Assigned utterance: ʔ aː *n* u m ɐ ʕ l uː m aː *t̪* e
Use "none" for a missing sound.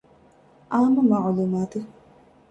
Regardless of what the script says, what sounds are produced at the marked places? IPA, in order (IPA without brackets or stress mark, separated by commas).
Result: m, t̪